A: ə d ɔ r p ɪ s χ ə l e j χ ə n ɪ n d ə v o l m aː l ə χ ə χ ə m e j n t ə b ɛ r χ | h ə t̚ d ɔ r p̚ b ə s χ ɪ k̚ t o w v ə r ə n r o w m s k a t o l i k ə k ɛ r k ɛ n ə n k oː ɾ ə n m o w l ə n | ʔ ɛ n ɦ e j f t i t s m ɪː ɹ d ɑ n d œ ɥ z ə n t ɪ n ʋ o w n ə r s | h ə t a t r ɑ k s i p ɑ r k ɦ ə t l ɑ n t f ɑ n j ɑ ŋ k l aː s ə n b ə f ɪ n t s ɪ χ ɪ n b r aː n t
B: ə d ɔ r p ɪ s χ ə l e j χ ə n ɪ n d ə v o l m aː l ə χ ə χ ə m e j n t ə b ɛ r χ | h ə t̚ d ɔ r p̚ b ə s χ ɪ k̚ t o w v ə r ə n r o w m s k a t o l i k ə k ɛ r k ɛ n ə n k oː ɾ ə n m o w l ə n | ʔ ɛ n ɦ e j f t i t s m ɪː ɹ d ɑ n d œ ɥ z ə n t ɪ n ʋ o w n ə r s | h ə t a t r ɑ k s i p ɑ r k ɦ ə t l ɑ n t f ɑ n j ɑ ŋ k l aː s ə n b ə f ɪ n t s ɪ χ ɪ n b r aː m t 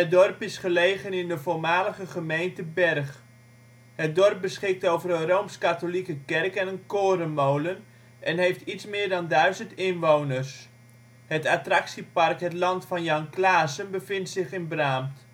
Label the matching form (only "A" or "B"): B